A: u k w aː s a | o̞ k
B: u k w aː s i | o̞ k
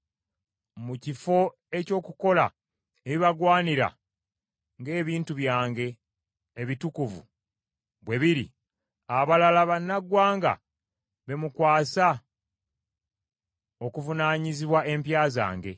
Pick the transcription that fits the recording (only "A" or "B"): A